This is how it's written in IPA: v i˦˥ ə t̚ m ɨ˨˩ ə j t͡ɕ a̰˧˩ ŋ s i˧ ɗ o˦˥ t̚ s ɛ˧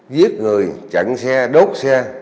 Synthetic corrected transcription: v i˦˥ ə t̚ ŋ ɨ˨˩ ə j t͡ɕ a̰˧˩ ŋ s ɛ˧ ɗ o˦˥ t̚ s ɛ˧